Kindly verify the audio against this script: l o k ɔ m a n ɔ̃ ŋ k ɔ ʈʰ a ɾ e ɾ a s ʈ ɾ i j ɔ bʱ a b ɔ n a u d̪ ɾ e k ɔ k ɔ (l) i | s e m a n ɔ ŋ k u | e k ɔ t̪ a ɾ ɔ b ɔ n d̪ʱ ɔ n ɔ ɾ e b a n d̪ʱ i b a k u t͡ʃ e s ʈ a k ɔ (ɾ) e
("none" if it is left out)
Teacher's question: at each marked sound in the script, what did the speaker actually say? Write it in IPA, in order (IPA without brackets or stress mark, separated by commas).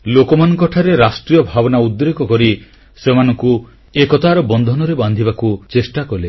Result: ɾ, l